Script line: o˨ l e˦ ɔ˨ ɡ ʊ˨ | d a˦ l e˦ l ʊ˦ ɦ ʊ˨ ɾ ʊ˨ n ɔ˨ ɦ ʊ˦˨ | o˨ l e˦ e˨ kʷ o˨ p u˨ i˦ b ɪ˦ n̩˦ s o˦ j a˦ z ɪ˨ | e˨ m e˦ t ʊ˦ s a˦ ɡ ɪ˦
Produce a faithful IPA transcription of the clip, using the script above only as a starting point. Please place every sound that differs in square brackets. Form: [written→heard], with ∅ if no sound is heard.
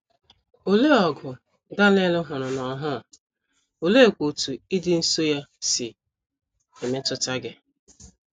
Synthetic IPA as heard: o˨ l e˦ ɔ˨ ɡ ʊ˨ | d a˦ l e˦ l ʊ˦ ɦ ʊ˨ ɾ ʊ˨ n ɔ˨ ɦ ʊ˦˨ | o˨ l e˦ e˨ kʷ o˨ [p→t] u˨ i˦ [b→d] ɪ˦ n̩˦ s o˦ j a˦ [z→s] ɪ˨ | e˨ m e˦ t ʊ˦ [s→t] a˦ ɡ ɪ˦